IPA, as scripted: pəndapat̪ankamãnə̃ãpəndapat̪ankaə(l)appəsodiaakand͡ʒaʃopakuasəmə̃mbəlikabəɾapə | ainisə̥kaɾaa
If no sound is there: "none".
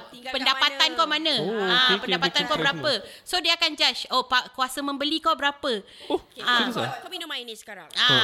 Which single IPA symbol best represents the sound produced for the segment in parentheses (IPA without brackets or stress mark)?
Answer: ɾ